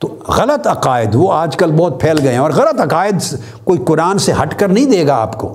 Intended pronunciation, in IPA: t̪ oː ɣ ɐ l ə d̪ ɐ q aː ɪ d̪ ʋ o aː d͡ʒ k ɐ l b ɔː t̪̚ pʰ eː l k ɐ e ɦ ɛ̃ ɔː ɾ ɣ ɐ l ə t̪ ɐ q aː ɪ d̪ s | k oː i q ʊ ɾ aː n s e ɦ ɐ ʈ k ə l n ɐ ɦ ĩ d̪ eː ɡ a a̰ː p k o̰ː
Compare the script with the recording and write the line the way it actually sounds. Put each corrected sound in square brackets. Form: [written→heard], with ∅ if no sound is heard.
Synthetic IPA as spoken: t̪ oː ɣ ɐ l ə [d̪→t̪] ɐ q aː ɪ d̪ ʋ o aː d͡ʒ k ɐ l b ɔː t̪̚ pʰ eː l [k→ɡ] ɐ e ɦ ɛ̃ ɔː ɾ ɣ ɐ l ə t̪ ɐ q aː ɪ d̪ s | k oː i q ʊ ɾ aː n s e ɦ ɐ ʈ k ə [l→ɾ] n ɐ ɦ ĩ d̪ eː ɡ a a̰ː p k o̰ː